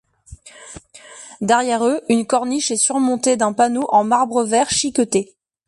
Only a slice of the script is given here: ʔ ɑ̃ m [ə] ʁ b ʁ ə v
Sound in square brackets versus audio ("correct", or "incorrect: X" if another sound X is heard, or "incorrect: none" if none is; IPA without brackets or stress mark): incorrect: a